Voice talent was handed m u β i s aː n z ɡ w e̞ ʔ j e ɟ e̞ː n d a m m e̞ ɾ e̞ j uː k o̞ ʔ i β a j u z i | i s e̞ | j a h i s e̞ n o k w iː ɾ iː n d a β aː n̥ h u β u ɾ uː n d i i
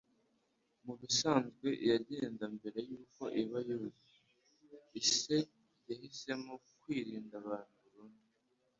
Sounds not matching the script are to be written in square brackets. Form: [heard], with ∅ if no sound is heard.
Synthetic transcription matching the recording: m u β i s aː n z ɡ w e̞ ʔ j [a] ɟ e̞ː n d a m [b] e̞ ɾ e̞ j uː k o̞ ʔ i β a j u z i | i s e̞ | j a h i s e̞ [m] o k w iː ɾ iː n d a β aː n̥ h u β u ɾ uː n d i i